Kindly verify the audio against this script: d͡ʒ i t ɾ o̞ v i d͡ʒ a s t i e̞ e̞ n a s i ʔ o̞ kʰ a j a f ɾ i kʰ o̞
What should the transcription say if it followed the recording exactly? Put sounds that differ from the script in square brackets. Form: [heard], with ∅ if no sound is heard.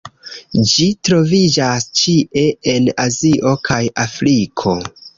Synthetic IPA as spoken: d͡ʒ i t ɾ o̞ v i d͡ʒ a s [t͡ʃ] i e̞ e̞ n a [z] i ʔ o̞ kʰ a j a f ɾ i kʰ o̞